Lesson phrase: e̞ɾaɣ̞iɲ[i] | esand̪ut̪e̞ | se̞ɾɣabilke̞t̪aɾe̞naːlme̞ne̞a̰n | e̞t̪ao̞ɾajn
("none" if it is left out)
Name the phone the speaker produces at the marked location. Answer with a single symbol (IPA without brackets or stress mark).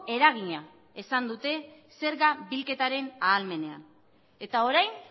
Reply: a